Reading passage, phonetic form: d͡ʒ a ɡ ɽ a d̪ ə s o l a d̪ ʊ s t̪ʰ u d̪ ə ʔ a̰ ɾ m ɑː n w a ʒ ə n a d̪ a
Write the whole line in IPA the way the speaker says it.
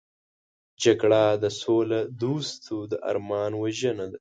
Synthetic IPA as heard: d͡ʒ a ɡ ɽ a d̪ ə s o l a d̪ u s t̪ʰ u d̪ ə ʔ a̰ ɾ m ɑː n w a ʒ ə n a d̪ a